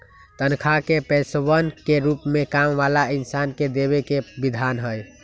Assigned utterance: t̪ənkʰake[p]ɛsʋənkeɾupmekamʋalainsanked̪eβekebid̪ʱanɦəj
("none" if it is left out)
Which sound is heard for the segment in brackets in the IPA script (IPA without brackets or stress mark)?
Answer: p